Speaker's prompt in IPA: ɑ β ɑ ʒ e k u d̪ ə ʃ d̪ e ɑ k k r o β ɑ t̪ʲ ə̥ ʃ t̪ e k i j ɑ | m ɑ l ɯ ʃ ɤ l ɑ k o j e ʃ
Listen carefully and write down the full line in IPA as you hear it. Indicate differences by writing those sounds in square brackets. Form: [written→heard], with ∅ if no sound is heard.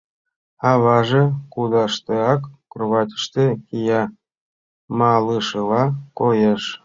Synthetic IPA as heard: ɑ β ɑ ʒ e k u d̪ [ə→ɑ] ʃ [d̪→t̪] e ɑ k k r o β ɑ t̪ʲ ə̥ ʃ t̪ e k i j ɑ | m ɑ l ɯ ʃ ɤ l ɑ k o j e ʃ